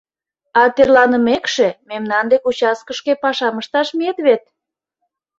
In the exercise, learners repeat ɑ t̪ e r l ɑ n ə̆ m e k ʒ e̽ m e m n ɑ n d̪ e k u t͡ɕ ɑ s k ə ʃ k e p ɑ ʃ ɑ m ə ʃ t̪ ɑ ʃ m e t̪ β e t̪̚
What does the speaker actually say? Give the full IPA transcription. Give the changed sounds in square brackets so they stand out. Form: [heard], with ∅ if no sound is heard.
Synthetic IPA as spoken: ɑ t̪ e r l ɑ n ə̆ m e k [ʃ] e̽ m e m n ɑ n d̪ e k u t͡ɕ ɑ s k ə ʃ k e p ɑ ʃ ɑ m ə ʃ t̪ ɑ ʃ m e t̪ β e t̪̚